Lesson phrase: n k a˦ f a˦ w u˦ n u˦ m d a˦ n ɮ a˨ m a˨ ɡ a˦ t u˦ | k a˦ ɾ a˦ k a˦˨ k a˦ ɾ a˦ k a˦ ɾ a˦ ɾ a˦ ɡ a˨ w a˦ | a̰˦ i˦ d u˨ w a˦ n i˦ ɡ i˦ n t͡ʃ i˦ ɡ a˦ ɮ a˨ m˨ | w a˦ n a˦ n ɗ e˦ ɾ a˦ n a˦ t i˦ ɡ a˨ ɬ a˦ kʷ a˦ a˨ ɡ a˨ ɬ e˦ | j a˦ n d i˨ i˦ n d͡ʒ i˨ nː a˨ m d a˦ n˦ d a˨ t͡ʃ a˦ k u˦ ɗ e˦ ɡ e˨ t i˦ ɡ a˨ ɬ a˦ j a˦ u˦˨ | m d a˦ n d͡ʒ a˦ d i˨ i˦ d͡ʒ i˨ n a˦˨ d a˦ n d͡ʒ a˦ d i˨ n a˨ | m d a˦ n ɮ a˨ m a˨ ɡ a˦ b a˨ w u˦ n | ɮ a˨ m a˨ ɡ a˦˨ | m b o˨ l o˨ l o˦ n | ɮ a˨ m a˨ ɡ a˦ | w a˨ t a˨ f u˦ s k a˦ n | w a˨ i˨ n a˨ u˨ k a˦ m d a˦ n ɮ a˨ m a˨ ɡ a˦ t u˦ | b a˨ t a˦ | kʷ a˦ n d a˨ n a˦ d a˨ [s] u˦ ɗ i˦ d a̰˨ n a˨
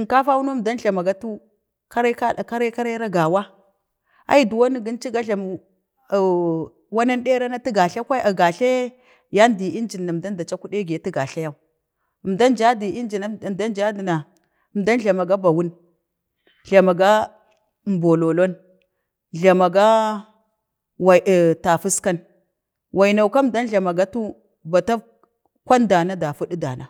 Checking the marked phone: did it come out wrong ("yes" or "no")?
yes